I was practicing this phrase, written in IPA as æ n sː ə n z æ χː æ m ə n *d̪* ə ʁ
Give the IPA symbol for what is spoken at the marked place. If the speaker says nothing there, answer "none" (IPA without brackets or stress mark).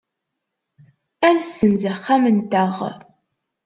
t̪